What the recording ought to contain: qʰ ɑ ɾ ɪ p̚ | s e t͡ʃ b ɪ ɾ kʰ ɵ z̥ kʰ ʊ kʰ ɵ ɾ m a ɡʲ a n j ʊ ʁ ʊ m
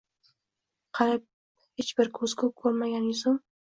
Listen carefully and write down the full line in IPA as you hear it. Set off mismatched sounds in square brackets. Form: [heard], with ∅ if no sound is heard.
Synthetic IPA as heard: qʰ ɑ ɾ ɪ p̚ | [h] e t͡ʃ b ɪ ɾ kʰ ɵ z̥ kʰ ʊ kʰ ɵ ɾ m a ɡʲ a n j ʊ [z] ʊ m